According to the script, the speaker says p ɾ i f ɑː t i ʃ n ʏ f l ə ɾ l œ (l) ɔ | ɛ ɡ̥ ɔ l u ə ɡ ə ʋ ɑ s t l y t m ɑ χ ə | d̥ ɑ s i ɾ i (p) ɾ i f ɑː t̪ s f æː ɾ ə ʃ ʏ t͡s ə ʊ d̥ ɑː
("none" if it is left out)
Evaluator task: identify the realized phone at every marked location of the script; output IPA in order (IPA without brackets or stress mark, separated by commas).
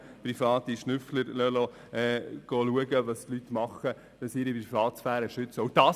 l, p